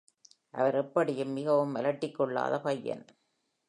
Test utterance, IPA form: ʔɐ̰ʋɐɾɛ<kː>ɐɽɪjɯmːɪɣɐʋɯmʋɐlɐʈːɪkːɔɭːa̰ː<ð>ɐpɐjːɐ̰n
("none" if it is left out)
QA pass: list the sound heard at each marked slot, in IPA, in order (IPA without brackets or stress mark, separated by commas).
pː, ð